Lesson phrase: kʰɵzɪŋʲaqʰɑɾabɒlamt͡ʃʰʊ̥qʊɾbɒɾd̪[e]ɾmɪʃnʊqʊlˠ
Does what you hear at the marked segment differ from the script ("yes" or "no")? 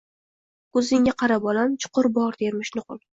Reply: no